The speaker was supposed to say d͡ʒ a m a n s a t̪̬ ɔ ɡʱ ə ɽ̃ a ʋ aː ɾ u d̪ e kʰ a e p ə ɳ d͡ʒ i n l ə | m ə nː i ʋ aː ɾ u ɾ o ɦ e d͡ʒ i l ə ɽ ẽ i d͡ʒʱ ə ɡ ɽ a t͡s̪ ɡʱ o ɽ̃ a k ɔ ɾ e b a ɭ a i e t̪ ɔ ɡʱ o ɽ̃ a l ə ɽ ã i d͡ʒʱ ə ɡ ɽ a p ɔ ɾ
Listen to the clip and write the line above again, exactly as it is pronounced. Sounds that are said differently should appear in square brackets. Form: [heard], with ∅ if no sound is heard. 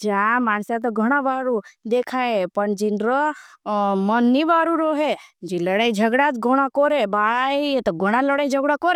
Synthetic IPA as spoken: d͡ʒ a m a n s a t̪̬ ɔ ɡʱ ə ɽ̃ a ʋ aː ɾ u d̪ e kʰ a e p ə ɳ d͡ʒ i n [ɾ] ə | m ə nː i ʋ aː ɾ u ɾ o ɦ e d͡ʒ i l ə ɽ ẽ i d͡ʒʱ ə ɡ ɽ a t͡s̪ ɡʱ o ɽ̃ a k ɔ ɾ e b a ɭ a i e t̪ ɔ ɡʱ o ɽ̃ a l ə ɽ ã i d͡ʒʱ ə ɡ ɽ a [k] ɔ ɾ